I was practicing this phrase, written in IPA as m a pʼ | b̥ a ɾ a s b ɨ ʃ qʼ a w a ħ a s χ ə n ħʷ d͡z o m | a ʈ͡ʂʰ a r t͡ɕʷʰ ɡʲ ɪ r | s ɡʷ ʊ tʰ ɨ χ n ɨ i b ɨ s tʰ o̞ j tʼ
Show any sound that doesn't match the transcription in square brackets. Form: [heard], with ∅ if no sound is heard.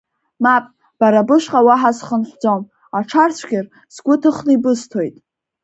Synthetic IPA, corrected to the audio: m a pʼ | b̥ a ɾ a [∅] b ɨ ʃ qʼ a w a ħ a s χ ə n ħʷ d͡z o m | a ʈ͡ʂʰ a r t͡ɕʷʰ ɡʲ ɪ r | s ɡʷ ʊ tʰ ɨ χ n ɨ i b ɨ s tʰ o̞ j tʼ